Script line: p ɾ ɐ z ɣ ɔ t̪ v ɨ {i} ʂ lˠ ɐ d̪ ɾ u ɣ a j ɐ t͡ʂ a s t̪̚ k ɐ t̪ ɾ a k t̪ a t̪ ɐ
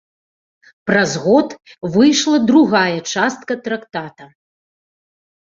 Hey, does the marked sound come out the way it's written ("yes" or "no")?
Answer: no